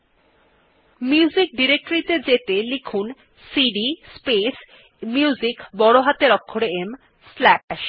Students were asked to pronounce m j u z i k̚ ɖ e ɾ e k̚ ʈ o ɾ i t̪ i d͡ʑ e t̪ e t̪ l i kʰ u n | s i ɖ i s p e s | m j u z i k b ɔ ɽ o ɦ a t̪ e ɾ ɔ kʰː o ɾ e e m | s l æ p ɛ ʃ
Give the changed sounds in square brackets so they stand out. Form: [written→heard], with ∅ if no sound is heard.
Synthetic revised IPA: m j u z i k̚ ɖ [e→i] ɾ e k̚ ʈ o ɾ i t̪ [i→e] d͡ʑ e t̪ e [t̪→∅] l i kʰ u n | s i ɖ i s p e s | m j u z i k b ɔ ɽ o ɦ a t̪ e ɾ ɔ kʰː o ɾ e e m | s l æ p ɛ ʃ